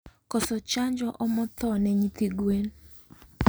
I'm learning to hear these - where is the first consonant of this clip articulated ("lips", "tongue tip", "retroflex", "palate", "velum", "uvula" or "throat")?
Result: velum